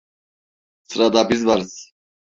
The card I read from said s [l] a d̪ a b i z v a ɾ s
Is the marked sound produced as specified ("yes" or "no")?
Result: no